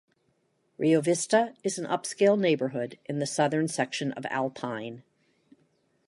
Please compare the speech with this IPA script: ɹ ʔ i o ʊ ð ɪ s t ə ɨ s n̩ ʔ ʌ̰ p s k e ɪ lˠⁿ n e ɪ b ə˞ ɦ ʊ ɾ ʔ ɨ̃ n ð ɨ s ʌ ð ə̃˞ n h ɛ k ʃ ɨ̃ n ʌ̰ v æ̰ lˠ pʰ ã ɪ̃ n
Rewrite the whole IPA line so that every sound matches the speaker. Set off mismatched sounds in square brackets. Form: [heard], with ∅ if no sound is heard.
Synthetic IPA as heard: ɹ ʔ i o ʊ [v] ɪ s t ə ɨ [z] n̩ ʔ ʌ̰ p s k e ɪ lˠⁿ n e ɪ b ə˞ ɦ ʊ ɾ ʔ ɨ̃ n ð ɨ s ʌ ð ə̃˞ n [s] ɛ k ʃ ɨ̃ n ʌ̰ v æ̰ lˠ pʰ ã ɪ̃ n